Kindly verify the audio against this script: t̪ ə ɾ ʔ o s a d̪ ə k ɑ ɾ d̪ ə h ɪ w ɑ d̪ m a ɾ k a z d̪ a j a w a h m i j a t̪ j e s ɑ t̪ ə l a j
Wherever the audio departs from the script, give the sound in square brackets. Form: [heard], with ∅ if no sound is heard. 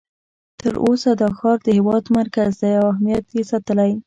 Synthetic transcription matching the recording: t̪ ə ɾ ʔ o s a d̪ ə [x] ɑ ɾ d̪ ə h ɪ w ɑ d̪ m a ɾ k a z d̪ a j a w a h m i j a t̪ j e s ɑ t̪ ə l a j